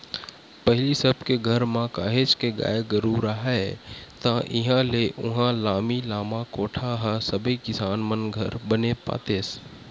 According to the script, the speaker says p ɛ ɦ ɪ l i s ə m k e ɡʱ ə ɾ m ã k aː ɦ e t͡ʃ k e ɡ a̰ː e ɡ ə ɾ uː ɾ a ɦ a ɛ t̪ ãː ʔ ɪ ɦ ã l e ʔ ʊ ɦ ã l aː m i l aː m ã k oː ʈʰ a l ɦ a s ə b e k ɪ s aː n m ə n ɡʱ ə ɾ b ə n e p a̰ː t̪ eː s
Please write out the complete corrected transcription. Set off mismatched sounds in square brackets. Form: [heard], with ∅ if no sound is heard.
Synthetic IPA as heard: p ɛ ɦ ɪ l i s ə [b] k e ɡʱ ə ɾ m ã k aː ɦ e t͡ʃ k e ɡ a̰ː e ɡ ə ɾ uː ɾ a ɦ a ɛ t̪ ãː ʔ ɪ ɦ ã l e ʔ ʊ ɦ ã l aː m i l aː m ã k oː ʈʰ a [∅] ɦ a s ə b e k ɪ s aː n m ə n ɡʱ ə ɾ b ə n e p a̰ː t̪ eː s

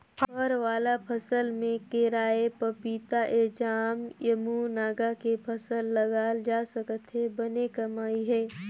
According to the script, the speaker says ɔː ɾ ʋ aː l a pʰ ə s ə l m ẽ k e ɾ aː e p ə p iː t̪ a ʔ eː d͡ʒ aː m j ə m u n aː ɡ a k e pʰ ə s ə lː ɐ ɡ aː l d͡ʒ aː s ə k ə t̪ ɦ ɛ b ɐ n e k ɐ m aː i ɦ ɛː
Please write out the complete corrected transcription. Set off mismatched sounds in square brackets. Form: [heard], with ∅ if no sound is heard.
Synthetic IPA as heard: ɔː ɾ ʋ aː l a pʰ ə s ə l m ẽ k e ɾ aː e p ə p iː t̪ a ʔ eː d͡ʒ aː m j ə m u n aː ɡ a k e pʰ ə s ə lː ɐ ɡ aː l d͡ʒ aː s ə k ə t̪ ɦ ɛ b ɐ n e k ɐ m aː i ɦ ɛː

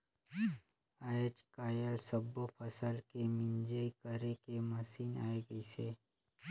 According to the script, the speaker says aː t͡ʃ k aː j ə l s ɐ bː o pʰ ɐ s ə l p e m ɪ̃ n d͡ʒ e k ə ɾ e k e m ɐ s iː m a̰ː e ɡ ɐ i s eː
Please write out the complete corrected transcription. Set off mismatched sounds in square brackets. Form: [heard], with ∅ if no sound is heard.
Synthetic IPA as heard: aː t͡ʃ k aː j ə l s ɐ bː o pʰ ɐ s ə l [k] e m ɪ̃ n d͡ʒ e k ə ɾ e k e m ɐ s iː [n] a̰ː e ɡ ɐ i s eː

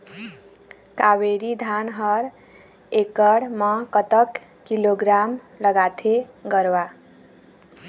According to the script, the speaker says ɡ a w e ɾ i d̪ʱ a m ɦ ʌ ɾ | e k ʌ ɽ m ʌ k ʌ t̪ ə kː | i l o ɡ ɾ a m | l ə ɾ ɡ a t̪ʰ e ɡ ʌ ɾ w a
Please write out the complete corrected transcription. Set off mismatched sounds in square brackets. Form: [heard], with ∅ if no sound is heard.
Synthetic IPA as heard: [k] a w e ɾ i d̪ʱ a [n] ɦ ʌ ɾ | e k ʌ ɽ m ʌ k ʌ t̪ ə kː | i l o ɡ ɾ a m | l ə [∅] ɡ a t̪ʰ e ɡ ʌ ɾ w a

